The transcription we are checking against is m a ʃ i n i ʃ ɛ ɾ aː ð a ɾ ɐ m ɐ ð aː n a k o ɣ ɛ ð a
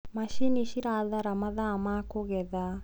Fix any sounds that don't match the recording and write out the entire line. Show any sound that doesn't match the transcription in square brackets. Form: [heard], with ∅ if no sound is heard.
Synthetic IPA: m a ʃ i n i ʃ [i] ɾ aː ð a ɾ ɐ m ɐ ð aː [m] a k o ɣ ɛ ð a